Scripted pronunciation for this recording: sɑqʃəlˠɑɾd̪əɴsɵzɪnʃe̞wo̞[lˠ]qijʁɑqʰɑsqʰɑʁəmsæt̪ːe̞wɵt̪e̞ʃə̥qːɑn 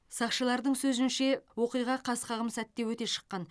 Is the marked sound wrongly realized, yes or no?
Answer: yes